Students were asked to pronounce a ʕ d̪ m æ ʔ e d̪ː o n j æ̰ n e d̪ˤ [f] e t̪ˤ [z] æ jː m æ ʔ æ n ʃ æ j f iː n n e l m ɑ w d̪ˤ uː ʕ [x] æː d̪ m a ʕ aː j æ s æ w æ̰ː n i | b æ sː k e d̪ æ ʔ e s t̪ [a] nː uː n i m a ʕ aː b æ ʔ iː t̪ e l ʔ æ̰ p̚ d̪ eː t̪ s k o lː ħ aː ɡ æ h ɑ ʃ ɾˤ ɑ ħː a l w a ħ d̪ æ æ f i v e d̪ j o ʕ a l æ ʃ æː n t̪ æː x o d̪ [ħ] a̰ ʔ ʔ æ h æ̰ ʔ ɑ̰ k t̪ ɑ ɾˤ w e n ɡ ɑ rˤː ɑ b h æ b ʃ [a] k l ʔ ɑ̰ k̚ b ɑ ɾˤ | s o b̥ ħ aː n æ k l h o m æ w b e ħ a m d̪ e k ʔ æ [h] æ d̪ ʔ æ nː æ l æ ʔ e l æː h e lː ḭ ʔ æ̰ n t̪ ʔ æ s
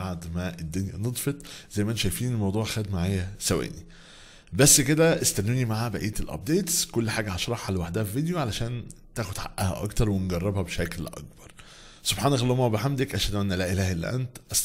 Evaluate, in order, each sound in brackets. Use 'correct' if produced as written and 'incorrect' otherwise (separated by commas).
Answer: correct, correct, correct, incorrect, correct, incorrect, incorrect